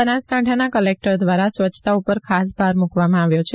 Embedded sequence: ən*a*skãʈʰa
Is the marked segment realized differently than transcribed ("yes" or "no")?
no